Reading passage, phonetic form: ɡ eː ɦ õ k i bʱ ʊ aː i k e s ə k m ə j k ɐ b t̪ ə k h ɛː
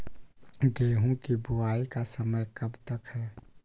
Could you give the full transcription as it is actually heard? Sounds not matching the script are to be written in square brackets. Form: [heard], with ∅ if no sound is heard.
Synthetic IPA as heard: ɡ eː ɦ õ k i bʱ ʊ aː i k [a] s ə [∅] m ə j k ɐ b t̪ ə k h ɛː